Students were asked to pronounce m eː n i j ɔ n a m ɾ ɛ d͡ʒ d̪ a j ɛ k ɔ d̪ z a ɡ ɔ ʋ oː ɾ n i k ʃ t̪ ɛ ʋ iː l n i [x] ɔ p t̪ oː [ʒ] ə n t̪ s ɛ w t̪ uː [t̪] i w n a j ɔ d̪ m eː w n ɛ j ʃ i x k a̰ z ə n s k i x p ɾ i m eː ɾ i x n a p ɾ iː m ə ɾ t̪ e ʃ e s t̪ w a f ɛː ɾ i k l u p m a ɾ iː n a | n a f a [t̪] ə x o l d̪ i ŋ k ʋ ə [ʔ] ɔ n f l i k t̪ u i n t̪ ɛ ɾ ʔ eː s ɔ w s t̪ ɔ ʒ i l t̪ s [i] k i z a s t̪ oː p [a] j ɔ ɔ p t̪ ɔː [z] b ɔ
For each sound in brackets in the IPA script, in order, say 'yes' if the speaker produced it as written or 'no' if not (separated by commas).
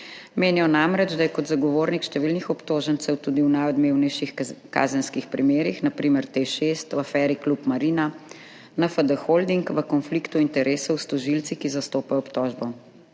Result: yes, yes, no, no, no, yes, yes, no